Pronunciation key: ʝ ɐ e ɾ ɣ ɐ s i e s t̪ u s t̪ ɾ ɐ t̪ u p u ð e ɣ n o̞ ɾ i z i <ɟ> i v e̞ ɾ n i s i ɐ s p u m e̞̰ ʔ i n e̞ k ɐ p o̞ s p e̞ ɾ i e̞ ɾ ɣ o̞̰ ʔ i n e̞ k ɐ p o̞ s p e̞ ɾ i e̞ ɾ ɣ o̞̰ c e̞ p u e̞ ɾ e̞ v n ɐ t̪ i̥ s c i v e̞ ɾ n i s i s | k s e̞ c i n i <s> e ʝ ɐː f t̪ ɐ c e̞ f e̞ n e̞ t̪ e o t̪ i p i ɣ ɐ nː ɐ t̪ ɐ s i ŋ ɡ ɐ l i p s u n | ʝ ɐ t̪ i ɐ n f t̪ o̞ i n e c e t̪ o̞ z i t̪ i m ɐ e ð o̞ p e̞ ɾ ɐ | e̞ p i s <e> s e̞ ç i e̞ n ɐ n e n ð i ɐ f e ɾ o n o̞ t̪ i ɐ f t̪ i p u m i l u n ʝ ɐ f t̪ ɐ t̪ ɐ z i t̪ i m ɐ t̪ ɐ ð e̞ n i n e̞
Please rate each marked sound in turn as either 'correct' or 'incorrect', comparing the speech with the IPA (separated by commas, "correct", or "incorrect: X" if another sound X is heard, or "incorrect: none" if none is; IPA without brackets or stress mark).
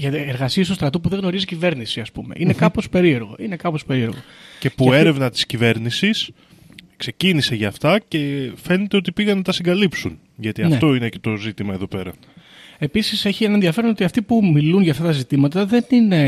incorrect: c, correct, incorrect: i